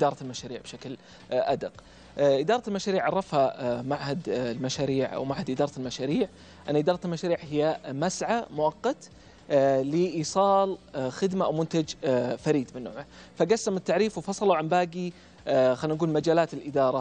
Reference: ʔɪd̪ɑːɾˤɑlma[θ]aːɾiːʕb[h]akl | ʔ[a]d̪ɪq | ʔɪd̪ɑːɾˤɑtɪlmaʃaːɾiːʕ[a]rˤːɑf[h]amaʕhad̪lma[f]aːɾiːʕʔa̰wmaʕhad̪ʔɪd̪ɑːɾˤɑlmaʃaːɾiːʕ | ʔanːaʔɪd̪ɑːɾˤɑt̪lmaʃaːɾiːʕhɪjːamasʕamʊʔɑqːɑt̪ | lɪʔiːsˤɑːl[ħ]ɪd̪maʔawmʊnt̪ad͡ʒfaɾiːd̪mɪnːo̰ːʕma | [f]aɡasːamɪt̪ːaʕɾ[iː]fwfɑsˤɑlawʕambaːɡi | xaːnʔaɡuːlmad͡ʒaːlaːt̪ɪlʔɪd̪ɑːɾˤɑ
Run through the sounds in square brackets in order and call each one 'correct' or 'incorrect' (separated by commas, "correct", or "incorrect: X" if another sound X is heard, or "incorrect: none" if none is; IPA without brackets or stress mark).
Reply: incorrect: ʃ, incorrect: ʃ, correct, incorrect: ɑ, correct, incorrect: ʃ, incorrect: x, correct, correct